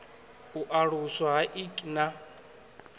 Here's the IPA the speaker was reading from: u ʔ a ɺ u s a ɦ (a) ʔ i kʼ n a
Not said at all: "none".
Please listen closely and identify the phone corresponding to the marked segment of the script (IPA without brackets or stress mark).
a